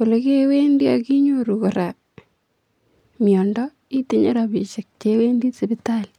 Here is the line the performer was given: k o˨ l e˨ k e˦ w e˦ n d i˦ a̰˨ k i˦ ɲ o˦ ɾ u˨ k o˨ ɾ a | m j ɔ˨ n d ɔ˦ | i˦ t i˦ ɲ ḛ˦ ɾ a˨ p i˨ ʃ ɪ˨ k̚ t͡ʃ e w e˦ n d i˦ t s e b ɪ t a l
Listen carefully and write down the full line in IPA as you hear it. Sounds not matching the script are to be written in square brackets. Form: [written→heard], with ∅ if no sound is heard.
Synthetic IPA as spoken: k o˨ l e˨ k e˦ w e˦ n d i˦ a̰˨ k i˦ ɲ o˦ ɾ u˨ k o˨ ɾ a | m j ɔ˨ n d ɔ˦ | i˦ t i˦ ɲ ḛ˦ ɾ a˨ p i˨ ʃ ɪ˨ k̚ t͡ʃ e w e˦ n d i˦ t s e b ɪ t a l